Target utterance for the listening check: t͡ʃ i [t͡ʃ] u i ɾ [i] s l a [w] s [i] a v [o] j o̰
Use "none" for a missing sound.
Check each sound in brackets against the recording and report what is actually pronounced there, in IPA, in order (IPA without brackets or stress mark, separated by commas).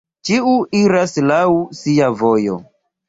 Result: none, a, w, i, o